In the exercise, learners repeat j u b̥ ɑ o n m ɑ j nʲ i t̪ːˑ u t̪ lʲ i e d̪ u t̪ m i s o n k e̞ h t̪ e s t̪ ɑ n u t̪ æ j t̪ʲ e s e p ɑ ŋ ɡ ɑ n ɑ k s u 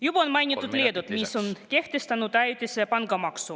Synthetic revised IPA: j u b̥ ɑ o n m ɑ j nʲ i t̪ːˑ u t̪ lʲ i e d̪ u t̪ m i s o n k e̞ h t̪ e s t̪ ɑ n u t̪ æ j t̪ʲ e s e p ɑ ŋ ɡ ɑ m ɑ k s u